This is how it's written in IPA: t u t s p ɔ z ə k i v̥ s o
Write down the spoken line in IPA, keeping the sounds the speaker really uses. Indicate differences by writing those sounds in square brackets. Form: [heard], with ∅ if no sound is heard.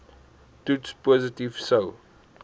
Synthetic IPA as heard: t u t s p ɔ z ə [t] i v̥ s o